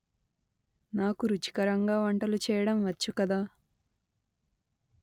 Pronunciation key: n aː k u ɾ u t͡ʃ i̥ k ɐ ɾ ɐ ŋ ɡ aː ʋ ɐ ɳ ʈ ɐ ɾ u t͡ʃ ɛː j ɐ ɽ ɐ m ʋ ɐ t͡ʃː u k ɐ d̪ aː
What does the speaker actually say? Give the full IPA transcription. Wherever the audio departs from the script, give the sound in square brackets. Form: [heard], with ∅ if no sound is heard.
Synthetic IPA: n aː k u ɾ u t͡ʃ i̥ k ɐ ɾ ɐ ŋ ɡ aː ʋ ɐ ɳ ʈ ɐ [l] u t͡ʃ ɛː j ɐ ɽ ɐ m ʋ ɐ t͡ʃː u k ɐ d̪ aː